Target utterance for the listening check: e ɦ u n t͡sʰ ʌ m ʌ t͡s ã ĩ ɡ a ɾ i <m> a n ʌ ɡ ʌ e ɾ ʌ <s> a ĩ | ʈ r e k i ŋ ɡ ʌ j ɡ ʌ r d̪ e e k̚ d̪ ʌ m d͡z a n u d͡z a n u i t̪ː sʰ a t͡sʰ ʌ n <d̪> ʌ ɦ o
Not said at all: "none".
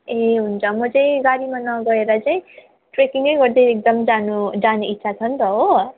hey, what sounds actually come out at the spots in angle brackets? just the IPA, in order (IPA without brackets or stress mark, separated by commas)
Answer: m, t͡s, t̪